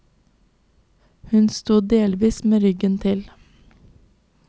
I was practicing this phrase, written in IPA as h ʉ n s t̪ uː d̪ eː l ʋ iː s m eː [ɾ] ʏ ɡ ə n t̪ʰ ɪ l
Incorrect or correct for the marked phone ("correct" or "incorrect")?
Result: correct